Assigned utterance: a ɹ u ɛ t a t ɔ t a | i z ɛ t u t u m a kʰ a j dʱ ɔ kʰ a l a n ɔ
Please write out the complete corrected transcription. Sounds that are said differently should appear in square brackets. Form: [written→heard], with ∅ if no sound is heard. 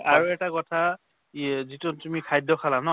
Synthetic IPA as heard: a ɹ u ɛ t a [t→k] ɔ [t→tʰ] a | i z [ɛ→i] t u t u m [a→i] kʰ a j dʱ ɔ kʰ a l a n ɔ